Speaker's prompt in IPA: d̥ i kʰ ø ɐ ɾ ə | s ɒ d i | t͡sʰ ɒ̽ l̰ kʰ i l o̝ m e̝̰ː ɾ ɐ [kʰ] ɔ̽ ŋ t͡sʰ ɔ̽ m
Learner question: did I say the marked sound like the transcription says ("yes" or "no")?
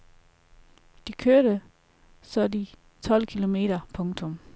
no